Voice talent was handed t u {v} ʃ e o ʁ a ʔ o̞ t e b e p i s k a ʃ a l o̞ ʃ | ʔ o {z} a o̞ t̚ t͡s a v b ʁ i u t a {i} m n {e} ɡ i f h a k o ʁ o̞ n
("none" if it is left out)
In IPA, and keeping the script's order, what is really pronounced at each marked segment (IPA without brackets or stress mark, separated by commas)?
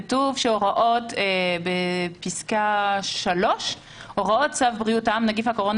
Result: v, ʁ, a, a